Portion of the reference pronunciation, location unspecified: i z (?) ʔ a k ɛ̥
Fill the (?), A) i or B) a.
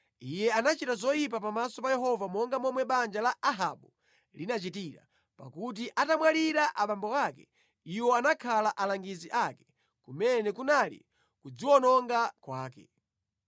A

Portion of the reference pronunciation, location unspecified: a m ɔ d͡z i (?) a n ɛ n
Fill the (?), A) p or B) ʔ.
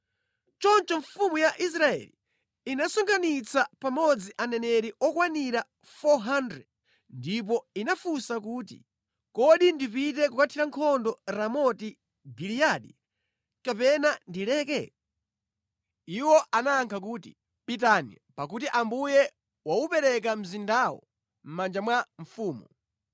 B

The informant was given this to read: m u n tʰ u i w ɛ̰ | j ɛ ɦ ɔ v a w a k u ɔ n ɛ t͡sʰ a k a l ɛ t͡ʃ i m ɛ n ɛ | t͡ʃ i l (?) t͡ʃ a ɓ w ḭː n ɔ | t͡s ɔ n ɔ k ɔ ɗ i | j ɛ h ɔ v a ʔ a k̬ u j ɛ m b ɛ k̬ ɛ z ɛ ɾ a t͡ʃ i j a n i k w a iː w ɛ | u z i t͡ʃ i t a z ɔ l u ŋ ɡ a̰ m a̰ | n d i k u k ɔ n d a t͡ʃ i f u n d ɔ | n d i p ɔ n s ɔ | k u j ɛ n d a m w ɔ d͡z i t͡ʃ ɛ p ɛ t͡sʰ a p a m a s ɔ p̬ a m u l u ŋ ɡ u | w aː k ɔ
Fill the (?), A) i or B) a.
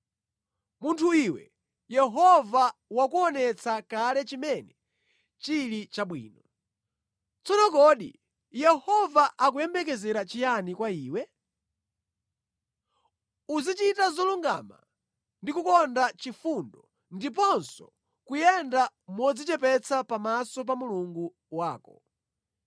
A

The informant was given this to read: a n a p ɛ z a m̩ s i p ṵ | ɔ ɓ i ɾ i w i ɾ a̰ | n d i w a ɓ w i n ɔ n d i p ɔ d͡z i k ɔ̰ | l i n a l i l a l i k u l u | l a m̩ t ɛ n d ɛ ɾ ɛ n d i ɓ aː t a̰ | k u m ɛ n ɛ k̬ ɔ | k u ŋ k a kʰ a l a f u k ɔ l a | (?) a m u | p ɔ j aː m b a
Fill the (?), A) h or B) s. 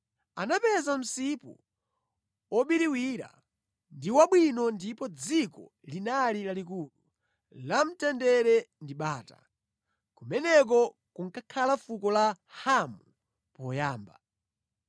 A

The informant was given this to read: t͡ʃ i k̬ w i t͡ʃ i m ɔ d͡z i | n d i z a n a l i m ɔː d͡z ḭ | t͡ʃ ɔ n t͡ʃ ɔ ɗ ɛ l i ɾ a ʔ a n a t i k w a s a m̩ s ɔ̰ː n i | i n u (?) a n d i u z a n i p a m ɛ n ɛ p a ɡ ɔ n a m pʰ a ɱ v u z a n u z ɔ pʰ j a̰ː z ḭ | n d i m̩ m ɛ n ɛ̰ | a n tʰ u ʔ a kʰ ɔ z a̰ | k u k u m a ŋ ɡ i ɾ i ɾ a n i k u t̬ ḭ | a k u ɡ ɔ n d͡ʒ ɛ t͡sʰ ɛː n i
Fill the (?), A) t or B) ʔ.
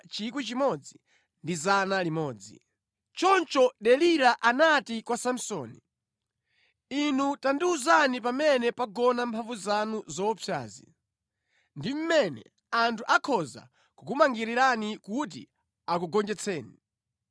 A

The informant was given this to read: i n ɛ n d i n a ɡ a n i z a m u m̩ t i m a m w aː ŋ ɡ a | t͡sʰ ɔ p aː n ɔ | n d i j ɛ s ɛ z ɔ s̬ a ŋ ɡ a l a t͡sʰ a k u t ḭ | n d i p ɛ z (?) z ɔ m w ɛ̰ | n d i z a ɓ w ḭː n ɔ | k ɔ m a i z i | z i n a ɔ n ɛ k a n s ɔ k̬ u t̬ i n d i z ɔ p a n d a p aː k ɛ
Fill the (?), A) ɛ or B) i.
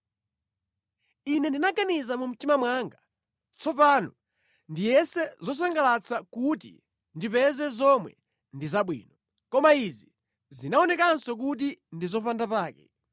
A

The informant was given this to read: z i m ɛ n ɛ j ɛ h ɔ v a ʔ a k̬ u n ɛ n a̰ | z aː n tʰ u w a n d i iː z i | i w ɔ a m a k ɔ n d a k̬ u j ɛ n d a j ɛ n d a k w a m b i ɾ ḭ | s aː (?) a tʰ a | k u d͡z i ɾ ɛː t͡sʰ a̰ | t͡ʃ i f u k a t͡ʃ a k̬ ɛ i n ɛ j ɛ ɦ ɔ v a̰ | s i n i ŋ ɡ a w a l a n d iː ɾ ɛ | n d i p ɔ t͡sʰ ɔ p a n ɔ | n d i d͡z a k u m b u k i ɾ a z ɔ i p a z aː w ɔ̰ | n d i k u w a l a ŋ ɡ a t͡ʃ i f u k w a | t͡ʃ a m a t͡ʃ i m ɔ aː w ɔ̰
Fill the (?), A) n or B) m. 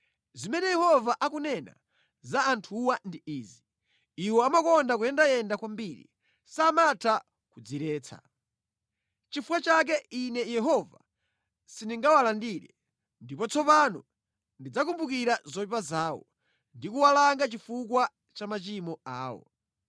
B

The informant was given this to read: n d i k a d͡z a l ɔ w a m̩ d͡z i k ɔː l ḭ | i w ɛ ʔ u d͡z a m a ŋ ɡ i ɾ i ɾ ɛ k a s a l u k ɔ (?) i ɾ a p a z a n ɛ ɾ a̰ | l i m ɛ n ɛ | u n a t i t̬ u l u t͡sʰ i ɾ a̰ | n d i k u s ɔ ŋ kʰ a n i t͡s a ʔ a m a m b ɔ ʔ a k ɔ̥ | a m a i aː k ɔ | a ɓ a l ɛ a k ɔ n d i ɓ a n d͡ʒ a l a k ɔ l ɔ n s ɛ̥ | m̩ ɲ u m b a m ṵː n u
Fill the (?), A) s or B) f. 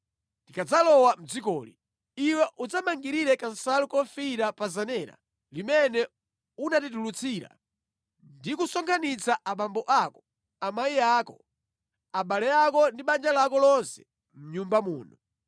B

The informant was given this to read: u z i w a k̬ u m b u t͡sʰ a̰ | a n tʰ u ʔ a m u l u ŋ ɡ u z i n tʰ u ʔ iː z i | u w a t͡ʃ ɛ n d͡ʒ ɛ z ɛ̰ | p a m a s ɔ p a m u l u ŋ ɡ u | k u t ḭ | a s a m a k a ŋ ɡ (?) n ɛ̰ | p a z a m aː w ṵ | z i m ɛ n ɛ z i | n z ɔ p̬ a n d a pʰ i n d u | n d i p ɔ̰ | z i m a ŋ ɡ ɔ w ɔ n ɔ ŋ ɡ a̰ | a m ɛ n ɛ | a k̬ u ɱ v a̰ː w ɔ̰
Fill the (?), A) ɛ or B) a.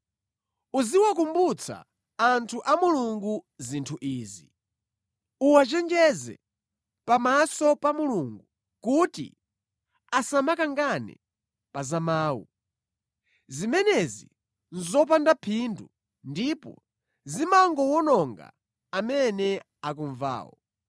B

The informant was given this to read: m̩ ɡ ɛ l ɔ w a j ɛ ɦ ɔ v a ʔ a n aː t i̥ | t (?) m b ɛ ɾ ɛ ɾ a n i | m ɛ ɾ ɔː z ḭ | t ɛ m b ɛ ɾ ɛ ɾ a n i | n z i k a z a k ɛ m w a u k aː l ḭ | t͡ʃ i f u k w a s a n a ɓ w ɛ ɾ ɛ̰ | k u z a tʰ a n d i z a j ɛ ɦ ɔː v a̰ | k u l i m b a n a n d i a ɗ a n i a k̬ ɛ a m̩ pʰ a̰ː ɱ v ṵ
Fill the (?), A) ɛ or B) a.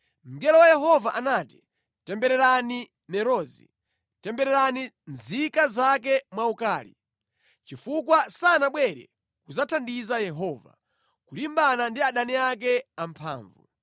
A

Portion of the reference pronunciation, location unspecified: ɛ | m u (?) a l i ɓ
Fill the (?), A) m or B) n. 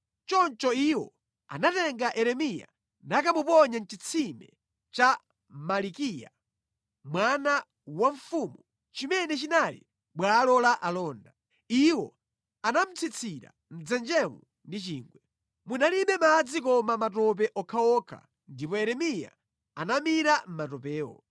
B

